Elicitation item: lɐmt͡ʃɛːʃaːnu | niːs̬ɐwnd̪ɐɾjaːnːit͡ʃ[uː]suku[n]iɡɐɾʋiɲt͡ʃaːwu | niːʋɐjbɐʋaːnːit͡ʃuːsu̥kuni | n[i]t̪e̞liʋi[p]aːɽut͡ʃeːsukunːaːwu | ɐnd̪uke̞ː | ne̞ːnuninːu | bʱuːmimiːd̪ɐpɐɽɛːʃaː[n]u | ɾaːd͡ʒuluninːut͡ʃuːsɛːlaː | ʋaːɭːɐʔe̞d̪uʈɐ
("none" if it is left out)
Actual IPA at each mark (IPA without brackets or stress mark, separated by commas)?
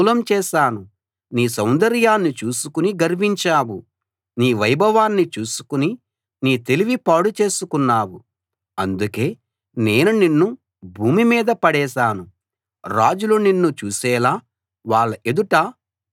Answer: uː, n, iː, p, n